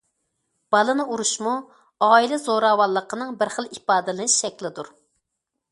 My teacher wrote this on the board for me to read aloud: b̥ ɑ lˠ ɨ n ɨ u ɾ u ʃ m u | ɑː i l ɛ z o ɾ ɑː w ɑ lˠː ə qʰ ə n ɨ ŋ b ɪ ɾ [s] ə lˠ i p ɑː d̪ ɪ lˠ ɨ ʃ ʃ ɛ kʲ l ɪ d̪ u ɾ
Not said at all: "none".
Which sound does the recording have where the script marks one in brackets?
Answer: χ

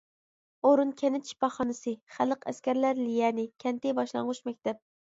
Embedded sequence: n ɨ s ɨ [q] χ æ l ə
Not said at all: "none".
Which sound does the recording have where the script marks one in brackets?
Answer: none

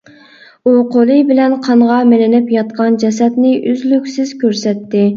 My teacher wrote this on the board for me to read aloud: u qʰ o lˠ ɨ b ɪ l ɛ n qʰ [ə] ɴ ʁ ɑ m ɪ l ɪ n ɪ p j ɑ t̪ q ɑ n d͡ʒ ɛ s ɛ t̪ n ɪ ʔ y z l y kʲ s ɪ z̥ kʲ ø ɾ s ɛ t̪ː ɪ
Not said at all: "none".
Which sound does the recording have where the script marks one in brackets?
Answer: ɑ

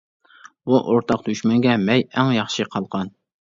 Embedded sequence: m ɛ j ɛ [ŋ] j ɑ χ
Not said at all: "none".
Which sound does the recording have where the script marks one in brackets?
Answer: ŋ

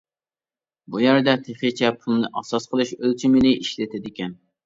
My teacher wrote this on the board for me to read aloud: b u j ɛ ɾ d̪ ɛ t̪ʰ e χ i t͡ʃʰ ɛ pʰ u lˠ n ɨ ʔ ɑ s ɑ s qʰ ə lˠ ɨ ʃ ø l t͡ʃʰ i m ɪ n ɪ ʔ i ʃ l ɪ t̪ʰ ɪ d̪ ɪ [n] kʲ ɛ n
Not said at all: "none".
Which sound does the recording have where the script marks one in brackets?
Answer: none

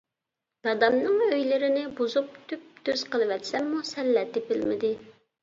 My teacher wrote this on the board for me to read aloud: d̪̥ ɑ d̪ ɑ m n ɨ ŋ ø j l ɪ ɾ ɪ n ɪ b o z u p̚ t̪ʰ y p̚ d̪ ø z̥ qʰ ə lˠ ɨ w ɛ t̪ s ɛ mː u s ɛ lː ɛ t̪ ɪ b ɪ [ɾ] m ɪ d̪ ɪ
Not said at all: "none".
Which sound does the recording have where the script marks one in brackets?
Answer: l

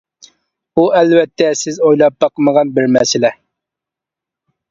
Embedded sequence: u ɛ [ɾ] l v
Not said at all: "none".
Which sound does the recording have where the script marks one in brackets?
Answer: none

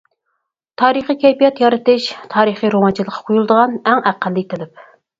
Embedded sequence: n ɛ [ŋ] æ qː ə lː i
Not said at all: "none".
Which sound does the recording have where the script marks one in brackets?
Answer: ŋ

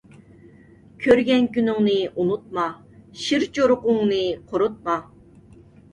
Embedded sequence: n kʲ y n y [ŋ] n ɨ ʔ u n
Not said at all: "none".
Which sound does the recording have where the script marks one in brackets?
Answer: ŋ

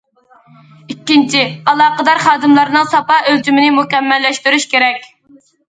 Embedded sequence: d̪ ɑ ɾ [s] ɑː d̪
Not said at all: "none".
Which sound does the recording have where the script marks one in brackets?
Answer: χ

